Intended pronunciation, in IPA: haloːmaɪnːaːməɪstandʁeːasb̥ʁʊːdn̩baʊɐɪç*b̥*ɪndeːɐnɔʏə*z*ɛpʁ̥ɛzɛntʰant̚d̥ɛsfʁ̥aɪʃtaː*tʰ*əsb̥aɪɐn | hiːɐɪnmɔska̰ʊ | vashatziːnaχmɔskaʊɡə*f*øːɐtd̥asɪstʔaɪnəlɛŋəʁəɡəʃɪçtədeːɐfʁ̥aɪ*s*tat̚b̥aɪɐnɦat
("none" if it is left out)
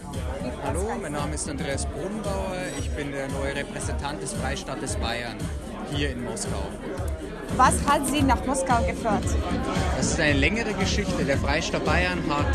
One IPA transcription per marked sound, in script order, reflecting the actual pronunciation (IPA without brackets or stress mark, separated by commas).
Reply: b̥, ʁ, t, f, ʃ